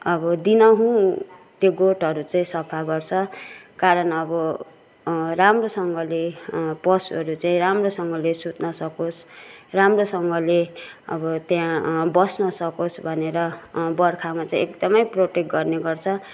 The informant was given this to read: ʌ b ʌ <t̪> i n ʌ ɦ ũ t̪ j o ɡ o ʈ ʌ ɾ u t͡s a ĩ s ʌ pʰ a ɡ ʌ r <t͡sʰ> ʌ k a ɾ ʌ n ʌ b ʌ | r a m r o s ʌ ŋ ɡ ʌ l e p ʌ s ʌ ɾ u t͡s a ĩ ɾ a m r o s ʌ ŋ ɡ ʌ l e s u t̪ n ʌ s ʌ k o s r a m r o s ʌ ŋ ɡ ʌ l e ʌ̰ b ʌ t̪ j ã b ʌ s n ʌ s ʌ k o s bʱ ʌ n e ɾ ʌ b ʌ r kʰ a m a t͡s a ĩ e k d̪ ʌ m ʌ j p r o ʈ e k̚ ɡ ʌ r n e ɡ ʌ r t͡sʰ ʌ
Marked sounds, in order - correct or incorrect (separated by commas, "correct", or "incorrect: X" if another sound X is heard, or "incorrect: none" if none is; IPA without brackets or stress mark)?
incorrect: d̪, correct